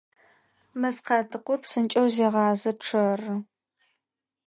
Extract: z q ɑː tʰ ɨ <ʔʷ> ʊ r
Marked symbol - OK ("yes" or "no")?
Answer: no